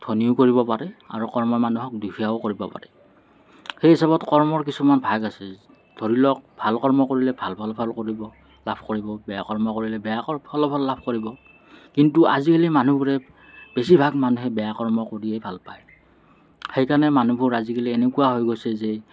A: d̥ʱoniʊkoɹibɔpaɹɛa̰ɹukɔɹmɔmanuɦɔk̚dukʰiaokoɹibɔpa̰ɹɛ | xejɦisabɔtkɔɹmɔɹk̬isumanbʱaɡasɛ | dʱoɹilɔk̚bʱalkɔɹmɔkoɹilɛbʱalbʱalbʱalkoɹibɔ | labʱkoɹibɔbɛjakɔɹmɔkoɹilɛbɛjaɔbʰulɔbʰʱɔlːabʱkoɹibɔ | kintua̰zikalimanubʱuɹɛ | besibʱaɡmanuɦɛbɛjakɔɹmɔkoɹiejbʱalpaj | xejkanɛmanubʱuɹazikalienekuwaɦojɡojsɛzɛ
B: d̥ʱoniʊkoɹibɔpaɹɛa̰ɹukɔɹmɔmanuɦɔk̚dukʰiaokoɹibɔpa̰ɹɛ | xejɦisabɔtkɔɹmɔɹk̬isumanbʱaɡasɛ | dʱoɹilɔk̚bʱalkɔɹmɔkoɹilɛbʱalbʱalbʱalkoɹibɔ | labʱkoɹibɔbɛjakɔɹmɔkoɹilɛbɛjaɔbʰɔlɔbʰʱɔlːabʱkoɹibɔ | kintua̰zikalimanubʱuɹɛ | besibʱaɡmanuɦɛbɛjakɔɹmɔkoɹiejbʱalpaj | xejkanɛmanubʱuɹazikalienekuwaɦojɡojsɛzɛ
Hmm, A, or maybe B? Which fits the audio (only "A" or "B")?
B